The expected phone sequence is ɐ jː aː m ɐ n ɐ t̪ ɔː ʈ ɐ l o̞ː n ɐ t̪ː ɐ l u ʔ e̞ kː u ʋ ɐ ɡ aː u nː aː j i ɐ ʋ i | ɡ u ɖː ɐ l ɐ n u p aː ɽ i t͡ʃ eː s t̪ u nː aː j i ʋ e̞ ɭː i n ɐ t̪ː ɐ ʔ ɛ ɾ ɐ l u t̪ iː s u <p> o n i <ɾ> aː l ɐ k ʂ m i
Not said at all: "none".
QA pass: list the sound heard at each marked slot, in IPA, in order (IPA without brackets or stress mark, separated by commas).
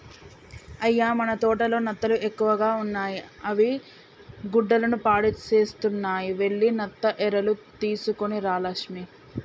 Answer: k, ɾ